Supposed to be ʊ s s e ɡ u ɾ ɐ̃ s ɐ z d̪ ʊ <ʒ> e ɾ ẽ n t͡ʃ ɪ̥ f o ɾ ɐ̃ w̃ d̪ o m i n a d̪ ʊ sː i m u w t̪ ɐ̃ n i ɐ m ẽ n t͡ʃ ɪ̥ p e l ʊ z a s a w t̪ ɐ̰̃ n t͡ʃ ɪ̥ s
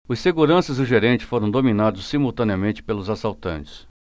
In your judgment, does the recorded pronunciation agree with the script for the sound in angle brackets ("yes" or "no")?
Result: yes